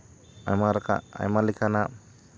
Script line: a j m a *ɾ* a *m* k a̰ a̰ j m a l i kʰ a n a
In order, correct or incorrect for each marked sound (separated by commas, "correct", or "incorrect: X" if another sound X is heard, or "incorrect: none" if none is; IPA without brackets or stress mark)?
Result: correct, incorrect: none